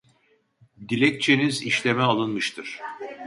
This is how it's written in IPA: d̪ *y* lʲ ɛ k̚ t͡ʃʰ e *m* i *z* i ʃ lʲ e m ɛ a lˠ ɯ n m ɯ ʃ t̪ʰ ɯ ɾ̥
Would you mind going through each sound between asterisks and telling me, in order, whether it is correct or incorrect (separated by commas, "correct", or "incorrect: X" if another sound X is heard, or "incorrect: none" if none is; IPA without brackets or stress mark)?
incorrect: i, incorrect: n, correct